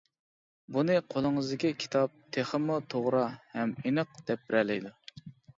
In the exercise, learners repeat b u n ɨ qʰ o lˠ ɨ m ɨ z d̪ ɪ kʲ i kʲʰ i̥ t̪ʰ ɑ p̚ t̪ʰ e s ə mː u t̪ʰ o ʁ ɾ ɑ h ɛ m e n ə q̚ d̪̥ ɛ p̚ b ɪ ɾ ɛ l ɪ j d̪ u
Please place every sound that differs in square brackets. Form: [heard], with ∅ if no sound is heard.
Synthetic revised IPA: b u n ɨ qʰ o lˠ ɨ [ŋ] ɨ z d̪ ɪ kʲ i kʲʰ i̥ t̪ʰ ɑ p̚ t̪ʰ e [χ] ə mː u t̪ʰ o ʁ ɾ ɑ h ɛ m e n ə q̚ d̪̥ ɛ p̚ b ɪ ɾ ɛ l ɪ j d̪ u